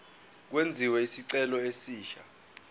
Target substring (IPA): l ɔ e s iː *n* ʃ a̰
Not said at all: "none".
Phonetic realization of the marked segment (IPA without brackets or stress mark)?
none